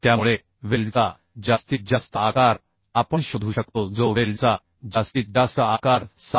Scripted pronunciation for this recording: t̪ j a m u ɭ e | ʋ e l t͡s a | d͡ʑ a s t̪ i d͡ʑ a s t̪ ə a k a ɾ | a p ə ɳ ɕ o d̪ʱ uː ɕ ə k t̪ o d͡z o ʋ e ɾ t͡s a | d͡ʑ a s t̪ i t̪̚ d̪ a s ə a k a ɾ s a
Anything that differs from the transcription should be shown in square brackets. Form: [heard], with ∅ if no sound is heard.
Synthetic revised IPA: t̪ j a m u ɭ e | ʋ e l t͡s a | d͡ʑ a s t̪ i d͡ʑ a s t̪ ə a k a ɾ | a p ə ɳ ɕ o d̪ʱ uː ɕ ə k t̪ o d͡z o ʋ e [l] t͡s a | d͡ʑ a s t̪ i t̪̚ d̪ a s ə a k a ɾ s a